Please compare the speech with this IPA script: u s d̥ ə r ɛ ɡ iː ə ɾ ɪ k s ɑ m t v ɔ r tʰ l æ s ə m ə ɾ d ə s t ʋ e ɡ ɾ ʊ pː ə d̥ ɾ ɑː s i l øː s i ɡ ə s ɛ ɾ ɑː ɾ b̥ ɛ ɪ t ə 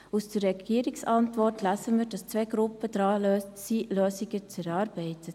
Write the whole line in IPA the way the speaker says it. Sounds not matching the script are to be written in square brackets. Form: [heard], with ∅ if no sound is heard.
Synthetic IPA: u s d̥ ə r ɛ ɡ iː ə ɾ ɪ k s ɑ [n] t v ɔ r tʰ l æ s ə m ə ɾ d [ɑ] s [t͡s] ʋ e ɡ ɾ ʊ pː ə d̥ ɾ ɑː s i l øː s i ɡ ə [t͡s] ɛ ɾ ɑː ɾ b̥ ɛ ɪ t ə